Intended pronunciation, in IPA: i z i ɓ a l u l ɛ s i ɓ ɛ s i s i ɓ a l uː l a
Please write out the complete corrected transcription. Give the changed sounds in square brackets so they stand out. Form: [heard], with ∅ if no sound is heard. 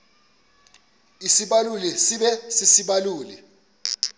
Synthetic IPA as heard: i [s] i ɓ a l u l ɛ s i ɓ ɛ s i s i ɓ a l uː l [ɛ]